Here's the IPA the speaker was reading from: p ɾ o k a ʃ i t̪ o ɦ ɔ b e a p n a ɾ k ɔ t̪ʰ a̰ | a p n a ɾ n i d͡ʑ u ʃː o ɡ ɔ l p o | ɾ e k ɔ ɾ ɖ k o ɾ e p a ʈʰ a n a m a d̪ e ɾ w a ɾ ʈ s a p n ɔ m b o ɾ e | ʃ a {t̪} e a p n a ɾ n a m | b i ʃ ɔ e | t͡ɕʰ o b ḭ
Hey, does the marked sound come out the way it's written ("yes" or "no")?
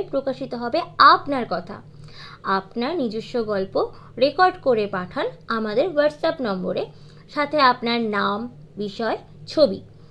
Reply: no